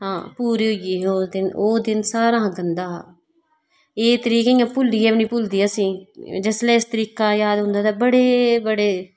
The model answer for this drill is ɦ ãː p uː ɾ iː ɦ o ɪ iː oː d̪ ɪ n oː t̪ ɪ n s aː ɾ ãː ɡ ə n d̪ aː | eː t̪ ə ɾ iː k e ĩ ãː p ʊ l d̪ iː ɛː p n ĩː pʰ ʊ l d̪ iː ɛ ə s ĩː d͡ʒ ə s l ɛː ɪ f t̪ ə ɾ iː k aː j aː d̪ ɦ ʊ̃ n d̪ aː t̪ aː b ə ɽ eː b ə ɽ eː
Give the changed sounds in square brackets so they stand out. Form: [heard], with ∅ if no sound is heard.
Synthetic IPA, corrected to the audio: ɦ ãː p uː ɾ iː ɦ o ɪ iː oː d̪ ɪ n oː [d̪] ɪ n s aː ɾ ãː ɡ ə n d̪ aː | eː t̪ ə ɾ iː k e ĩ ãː p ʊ l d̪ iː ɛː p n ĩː [p] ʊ l d̪ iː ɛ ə s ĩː d͡ʒ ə s l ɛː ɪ [s] t̪ ə ɾ iː k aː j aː d̪ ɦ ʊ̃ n d̪ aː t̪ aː b ə ɽ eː b ə ɽ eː